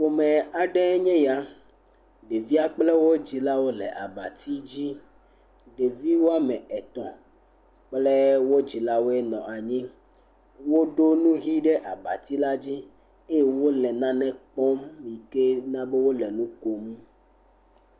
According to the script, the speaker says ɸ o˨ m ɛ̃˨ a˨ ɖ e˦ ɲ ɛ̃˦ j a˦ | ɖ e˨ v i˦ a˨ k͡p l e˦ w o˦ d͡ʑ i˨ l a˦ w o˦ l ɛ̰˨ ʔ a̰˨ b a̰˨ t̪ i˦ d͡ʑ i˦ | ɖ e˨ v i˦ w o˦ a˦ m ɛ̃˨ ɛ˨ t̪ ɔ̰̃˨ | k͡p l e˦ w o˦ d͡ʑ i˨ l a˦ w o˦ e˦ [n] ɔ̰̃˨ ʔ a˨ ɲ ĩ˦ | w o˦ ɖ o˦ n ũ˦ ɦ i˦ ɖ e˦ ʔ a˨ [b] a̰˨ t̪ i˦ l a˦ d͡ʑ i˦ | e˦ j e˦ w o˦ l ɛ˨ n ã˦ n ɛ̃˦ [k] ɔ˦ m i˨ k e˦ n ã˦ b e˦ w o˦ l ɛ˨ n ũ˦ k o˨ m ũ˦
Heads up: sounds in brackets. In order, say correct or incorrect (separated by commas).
correct, correct, incorrect